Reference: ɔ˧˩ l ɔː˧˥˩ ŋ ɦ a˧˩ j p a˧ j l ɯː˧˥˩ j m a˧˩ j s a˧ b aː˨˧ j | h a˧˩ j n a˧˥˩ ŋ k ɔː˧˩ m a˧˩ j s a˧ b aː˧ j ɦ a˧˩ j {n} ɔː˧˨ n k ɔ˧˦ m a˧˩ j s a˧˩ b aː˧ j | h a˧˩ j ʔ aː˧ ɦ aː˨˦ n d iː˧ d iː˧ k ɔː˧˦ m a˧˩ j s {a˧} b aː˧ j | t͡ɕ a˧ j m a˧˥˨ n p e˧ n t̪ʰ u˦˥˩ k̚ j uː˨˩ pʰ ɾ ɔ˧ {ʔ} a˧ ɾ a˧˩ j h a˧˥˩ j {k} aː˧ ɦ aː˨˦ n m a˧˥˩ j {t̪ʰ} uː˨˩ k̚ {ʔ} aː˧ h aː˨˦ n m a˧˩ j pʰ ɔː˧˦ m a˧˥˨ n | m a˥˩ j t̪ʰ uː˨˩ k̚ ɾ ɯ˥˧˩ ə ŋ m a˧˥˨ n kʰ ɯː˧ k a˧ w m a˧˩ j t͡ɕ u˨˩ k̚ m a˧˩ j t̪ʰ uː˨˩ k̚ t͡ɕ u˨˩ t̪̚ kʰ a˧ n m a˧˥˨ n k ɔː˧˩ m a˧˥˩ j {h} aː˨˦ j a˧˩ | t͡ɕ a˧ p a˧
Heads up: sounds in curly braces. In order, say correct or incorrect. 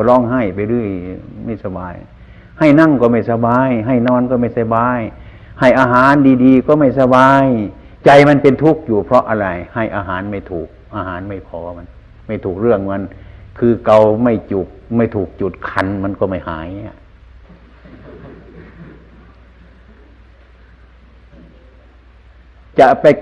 correct, correct, correct, incorrect, correct, correct, correct

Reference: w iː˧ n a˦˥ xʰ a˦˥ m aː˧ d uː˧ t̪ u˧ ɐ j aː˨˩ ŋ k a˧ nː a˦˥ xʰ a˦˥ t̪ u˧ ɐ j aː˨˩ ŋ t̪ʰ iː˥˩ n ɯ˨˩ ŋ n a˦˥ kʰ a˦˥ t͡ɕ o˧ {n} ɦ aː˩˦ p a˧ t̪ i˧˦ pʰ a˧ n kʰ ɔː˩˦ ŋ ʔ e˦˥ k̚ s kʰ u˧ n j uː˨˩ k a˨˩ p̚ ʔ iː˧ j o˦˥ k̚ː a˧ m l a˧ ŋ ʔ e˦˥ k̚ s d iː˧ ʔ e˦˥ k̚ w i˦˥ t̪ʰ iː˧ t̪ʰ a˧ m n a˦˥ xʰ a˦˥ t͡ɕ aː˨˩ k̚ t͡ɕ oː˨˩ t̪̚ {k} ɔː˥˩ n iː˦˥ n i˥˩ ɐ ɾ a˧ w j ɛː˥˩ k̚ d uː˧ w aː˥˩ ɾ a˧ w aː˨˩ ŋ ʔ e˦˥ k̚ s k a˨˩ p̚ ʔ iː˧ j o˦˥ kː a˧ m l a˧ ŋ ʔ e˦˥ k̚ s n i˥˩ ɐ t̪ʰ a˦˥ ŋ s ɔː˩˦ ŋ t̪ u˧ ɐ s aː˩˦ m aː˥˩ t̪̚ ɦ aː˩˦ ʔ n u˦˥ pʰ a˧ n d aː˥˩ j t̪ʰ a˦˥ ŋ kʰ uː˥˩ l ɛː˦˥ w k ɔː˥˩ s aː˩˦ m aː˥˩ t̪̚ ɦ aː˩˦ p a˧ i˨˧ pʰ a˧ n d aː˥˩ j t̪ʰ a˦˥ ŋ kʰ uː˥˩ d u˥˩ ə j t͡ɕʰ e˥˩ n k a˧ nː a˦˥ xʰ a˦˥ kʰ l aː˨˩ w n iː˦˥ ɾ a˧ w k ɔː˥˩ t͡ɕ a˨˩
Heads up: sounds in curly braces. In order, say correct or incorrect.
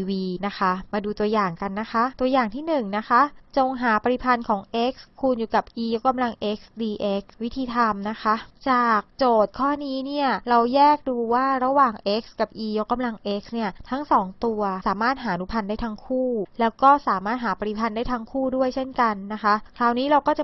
incorrect, incorrect

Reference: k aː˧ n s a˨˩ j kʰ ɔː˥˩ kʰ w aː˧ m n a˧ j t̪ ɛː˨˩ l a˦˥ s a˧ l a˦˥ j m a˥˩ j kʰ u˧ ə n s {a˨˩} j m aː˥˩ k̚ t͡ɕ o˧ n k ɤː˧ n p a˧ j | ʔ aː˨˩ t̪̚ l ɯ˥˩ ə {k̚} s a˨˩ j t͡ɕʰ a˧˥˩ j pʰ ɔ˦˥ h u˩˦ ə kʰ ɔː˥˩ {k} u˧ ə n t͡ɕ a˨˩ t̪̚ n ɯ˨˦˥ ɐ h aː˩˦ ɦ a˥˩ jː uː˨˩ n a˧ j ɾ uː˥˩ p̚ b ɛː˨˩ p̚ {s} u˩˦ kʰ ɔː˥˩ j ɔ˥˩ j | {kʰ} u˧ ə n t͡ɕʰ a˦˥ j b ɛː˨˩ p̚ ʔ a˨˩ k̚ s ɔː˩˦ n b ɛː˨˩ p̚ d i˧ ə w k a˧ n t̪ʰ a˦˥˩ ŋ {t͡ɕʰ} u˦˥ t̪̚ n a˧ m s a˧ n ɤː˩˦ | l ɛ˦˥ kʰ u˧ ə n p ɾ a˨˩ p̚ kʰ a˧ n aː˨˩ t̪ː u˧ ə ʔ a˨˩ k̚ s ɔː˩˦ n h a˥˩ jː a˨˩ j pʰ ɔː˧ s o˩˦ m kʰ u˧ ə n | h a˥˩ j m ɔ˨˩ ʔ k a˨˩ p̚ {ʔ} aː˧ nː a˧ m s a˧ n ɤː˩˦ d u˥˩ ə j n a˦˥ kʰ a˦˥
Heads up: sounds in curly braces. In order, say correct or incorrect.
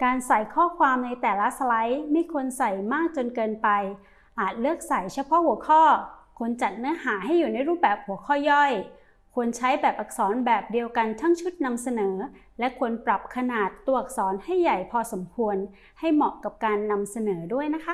correct, correct, incorrect, incorrect, correct, correct, incorrect

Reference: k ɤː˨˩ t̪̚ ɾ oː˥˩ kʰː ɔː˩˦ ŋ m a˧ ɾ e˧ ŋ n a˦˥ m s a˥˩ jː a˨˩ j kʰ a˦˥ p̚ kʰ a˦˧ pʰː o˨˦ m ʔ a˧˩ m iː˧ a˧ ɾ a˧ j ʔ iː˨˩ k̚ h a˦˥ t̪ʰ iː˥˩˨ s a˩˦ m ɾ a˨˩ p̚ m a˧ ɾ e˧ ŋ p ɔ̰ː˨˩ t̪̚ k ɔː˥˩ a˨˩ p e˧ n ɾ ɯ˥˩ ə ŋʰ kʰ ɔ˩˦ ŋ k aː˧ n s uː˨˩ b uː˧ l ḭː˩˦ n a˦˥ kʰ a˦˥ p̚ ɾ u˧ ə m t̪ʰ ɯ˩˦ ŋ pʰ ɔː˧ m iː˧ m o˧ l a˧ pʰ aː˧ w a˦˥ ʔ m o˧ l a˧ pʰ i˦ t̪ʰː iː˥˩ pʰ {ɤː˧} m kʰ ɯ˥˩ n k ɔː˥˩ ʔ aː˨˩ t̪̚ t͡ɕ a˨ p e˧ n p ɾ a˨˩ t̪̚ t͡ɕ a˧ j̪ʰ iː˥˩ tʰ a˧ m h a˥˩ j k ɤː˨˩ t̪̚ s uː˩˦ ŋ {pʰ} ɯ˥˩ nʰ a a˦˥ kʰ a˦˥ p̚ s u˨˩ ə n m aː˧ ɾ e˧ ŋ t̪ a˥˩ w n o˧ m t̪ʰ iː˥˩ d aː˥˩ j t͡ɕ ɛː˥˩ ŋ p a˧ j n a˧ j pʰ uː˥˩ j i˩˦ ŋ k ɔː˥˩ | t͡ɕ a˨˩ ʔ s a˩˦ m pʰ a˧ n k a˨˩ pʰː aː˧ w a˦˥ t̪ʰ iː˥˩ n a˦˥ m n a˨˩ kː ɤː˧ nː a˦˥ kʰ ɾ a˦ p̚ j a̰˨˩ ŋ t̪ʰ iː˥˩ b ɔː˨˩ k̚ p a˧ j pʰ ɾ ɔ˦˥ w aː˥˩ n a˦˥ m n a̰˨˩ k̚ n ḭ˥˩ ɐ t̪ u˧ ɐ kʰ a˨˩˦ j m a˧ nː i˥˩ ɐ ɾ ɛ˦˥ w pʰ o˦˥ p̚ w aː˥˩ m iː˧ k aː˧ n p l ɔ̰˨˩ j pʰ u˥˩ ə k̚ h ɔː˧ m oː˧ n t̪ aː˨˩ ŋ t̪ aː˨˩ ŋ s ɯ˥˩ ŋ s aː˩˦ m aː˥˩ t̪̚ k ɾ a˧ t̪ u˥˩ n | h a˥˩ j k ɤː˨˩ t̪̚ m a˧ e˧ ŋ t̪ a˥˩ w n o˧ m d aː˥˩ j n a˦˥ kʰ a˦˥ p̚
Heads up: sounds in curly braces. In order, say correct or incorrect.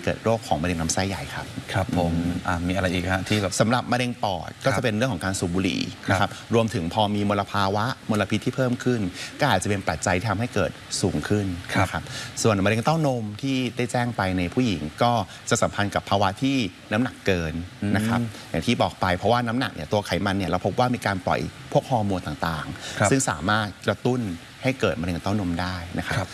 incorrect, incorrect

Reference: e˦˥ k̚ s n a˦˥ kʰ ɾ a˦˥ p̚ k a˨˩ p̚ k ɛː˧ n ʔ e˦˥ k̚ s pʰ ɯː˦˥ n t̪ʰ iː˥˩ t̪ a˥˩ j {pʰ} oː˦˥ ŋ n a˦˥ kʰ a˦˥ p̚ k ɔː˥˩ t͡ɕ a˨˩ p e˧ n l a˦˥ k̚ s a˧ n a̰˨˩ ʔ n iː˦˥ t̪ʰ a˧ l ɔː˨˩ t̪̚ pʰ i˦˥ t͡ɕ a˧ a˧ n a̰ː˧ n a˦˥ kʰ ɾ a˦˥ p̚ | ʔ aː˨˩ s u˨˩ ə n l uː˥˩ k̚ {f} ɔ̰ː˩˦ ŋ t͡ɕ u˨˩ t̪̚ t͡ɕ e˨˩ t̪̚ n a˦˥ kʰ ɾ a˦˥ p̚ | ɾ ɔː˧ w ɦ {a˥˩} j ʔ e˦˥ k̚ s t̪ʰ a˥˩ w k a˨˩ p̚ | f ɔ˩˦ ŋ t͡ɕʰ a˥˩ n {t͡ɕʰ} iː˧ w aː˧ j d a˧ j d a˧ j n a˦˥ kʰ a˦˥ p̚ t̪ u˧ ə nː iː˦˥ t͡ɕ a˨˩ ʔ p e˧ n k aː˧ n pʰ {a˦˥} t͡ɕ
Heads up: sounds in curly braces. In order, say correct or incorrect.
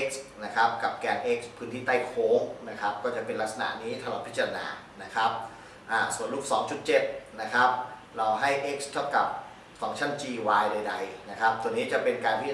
incorrect, incorrect, correct, incorrect, incorrect

